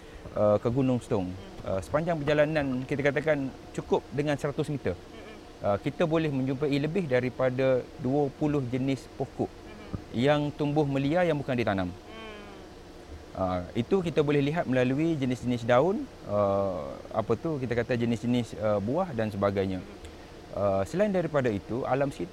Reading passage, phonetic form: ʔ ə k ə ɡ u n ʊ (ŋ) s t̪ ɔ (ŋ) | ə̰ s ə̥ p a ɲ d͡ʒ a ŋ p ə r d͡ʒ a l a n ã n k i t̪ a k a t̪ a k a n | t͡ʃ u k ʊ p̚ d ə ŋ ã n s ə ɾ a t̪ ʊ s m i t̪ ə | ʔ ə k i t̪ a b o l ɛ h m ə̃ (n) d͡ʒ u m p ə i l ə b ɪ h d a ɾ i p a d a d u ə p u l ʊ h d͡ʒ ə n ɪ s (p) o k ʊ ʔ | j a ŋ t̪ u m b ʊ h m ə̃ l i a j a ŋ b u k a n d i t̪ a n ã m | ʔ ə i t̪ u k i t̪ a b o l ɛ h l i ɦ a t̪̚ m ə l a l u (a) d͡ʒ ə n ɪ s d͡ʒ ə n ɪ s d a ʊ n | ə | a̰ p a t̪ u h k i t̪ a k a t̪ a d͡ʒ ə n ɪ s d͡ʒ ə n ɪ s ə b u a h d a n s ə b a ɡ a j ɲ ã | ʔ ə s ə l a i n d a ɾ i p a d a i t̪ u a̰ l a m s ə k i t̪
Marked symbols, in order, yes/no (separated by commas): yes, yes, no, yes, no